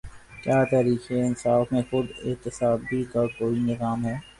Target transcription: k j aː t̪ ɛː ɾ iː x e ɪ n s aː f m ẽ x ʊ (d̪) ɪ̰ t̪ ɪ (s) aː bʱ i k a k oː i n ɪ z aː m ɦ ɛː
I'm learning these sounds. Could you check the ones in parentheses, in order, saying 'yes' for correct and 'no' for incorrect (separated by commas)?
yes, yes